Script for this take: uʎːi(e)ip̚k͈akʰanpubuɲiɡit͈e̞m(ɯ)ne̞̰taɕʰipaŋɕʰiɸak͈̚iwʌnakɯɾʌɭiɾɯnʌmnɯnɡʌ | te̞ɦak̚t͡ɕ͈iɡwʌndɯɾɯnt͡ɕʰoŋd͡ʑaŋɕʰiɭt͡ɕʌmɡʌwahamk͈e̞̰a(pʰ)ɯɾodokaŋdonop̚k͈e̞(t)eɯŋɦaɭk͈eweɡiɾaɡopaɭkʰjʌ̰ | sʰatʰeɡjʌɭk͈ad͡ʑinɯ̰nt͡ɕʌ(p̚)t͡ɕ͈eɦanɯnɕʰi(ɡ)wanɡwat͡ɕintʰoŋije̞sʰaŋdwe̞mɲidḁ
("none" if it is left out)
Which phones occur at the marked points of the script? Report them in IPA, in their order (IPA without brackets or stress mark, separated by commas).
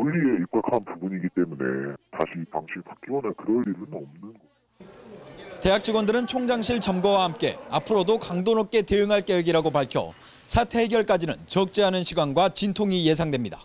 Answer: e, u, pʰ, t, k̚, ɡ